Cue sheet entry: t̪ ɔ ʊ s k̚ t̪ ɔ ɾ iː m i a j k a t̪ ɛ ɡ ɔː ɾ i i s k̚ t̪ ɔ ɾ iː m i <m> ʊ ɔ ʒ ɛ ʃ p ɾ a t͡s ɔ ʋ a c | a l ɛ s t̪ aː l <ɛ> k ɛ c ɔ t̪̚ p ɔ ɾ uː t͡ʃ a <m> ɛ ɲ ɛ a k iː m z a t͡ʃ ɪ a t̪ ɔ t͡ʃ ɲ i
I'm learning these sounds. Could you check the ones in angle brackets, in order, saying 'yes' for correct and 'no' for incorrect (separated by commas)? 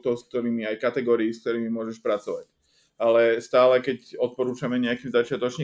yes, yes, yes